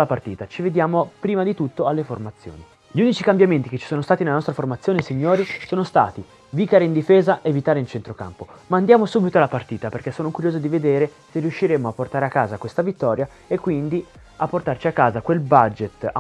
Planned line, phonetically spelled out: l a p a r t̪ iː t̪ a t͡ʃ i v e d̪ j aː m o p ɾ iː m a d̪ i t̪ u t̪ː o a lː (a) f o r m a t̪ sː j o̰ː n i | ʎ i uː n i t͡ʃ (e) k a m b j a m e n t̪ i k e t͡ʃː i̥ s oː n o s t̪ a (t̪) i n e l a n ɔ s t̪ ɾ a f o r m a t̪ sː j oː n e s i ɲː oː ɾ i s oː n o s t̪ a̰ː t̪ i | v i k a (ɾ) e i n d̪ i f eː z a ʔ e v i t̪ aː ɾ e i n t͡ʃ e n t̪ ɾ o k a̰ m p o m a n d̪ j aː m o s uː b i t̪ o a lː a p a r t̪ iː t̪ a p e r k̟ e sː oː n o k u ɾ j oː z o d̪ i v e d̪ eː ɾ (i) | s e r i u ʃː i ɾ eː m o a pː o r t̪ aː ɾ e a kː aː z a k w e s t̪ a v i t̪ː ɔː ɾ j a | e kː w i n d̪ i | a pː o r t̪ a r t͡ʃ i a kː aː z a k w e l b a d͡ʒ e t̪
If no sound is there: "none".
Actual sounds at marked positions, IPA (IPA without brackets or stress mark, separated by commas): e, i, t̪, ɾ, e